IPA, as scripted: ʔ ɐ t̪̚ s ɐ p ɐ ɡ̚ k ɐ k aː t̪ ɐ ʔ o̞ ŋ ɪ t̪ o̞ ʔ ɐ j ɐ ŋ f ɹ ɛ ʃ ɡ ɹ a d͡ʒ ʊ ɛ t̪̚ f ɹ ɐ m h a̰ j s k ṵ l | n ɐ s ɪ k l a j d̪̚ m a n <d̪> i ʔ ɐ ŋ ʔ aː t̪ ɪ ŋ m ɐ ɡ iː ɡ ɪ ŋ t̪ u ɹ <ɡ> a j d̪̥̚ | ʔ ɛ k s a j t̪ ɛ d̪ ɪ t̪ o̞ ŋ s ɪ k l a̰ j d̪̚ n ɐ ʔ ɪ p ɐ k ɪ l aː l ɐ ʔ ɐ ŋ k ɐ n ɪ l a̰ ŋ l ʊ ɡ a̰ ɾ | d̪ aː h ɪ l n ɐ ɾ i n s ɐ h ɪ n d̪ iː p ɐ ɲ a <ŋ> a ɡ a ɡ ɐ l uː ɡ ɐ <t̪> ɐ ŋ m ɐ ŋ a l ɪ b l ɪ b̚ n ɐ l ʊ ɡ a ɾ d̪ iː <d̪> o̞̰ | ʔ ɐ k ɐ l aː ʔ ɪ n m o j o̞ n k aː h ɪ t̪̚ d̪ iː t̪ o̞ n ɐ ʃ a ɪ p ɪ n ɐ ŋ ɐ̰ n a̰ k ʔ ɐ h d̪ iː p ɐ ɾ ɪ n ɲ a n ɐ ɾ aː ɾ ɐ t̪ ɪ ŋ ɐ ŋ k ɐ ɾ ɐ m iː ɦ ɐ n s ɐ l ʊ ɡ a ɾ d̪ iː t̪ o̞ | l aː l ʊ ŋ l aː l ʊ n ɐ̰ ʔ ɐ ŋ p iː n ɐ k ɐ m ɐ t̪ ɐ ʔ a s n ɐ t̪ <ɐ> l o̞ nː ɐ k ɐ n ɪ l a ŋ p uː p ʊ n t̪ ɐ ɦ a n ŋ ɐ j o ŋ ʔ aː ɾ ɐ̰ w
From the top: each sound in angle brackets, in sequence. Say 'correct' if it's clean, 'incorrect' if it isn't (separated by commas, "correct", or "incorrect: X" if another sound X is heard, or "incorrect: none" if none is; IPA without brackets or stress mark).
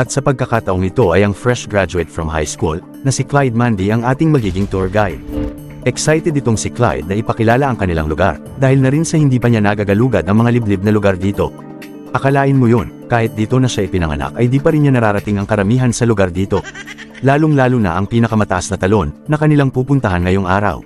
correct, correct, incorrect: n, incorrect: d̪, incorrect: t̪, correct